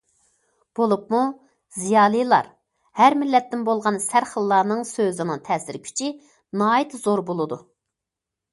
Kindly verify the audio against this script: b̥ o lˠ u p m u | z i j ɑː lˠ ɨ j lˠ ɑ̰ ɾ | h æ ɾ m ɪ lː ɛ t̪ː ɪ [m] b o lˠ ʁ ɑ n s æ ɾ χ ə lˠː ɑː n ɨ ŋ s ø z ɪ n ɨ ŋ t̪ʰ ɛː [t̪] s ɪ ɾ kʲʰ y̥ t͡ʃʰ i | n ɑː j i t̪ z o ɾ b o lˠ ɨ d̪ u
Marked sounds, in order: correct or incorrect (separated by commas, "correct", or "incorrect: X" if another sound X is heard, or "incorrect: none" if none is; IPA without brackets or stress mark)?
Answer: incorrect: n, incorrect: none